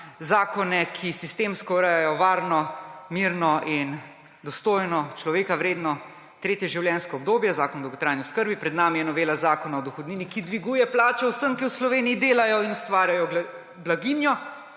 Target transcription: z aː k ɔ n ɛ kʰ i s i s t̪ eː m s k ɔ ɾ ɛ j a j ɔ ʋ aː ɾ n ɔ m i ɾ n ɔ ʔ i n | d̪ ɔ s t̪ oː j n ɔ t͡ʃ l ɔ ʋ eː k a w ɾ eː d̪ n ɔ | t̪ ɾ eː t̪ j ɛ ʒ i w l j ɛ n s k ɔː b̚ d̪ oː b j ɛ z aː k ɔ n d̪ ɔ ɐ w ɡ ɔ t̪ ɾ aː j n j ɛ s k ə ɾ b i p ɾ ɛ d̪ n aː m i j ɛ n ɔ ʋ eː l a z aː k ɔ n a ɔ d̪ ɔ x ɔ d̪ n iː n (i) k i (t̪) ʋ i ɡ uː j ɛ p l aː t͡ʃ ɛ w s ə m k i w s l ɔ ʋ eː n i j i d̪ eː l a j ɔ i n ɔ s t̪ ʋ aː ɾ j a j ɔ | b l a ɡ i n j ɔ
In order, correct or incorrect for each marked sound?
correct, incorrect: d̪

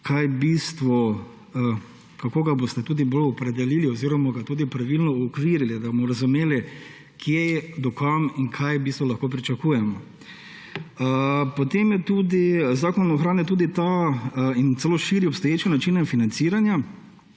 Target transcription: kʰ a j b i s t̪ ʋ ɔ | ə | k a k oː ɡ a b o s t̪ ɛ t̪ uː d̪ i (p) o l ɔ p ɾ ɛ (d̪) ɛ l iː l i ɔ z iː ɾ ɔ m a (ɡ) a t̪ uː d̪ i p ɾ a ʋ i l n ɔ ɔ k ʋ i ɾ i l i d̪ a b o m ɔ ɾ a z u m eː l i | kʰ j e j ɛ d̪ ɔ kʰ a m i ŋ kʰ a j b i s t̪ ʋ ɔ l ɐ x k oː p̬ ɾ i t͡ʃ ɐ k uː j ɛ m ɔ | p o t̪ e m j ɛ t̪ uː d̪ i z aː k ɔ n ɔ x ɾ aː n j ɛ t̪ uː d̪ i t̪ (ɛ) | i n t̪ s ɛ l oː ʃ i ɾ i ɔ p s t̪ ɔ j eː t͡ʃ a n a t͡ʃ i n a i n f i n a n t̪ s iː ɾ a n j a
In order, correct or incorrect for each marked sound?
incorrect: b, correct, correct, incorrect: a

